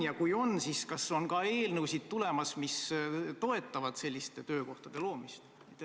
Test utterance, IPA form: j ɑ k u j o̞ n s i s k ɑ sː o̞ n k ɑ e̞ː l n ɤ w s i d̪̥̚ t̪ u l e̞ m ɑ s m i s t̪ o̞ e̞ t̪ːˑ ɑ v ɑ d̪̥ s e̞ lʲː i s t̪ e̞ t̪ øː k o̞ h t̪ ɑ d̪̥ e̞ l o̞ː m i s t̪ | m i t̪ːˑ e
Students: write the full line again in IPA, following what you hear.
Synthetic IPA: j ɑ k u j o̞ n s i s k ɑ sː o̞ n k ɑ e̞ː l n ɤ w s i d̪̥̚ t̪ u l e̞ m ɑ s m i s t̪ o̞ e̞ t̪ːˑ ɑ v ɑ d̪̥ s e̞ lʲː i s t̪ e̞ t̪ øː k o̞ h t̪ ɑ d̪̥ e̞ l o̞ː m i s t̪ | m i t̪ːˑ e